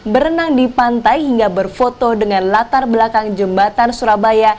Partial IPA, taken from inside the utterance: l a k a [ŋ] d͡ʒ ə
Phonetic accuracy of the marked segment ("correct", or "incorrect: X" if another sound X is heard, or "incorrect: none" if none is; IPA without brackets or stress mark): correct